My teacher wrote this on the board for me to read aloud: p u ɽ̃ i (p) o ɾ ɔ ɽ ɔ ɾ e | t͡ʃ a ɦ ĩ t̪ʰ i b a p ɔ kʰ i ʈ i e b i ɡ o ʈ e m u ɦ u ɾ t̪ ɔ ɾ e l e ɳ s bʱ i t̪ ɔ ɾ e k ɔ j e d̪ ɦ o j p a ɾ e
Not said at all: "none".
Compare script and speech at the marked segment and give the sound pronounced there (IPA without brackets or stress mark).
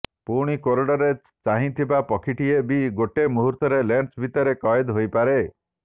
k